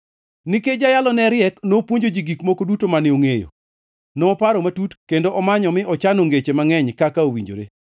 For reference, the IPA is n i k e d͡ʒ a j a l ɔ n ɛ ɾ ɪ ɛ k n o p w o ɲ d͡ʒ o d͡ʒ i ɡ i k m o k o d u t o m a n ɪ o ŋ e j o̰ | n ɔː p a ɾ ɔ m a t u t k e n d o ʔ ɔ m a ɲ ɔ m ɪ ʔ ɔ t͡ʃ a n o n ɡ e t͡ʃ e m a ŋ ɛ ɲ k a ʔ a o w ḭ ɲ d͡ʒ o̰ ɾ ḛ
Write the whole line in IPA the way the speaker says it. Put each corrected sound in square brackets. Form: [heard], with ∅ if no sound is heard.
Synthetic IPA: n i k e d͡ʒ a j a l ɔ n ɛ ɾ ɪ ɛ k n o p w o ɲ d͡ʒ o d͡ʒ i ɡ i k m o k o d u t o m a n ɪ o ŋ e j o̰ | n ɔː p a ɾ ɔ m a t u t k e n d o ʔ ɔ m a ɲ ɔ m ɪ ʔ ɔ t͡ʃ a n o [ŋ] ɡ e t͡ʃ e m a ŋ ɛ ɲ k a [k] a o w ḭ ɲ d͡ʒ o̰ ɾ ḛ